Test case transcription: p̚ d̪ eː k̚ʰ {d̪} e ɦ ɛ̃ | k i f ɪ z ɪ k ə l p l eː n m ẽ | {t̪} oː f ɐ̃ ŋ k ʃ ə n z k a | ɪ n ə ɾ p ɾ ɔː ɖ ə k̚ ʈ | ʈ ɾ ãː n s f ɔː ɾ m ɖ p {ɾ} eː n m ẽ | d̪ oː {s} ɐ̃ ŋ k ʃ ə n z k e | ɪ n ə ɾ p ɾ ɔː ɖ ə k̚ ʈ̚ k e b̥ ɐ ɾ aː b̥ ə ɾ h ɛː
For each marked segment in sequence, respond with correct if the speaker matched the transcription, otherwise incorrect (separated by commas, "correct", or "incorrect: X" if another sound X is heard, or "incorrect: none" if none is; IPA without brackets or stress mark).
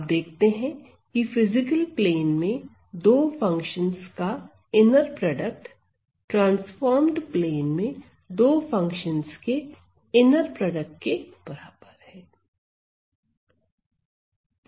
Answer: incorrect: t̪, incorrect: d̪, incorrect: l, incorrect: f